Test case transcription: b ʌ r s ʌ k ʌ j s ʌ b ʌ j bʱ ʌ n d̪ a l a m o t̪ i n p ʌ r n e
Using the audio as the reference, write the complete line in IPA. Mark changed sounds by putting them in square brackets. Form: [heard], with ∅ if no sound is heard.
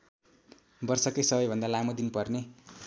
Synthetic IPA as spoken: b ʌ r s ʌ k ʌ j s ʌ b ʌ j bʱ ʌ n d̪ a l a m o [d̪] i n p ʌ r n e